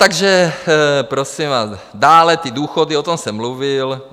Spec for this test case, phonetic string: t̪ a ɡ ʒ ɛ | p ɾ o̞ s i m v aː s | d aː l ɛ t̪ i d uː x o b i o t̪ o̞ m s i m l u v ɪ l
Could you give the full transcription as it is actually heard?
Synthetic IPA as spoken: t̪ a ɡ ʒ ɛ | p ɾ o̞ s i m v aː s | d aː l ɛ t̪ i d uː x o d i o t̪ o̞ m s ɛ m l u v ɪ l